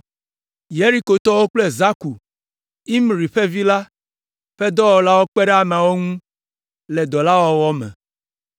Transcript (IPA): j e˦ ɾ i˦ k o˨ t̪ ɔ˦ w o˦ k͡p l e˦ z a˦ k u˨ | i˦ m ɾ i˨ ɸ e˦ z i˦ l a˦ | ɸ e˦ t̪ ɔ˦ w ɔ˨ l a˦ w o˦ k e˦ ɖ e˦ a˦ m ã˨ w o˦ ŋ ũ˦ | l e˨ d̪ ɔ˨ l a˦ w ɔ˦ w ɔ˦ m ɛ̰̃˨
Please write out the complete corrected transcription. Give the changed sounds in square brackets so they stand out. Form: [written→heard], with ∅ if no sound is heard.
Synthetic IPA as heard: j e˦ ɾ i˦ k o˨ t̪ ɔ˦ w o˦ k͡p l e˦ z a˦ k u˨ | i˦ m ɾ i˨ ɸ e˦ [z→v] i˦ l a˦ | ɸ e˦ [t̪→d̪] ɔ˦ w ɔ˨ l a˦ w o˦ [k→k͡p] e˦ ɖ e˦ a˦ m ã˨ w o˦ ŋ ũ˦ | l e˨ d̪ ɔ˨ l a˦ w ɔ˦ w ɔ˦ m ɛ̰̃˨